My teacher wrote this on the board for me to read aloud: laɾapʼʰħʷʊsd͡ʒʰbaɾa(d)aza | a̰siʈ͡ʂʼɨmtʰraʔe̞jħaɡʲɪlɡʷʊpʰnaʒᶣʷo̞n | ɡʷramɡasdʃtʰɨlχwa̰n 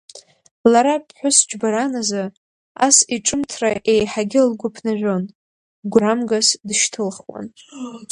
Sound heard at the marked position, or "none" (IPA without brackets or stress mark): n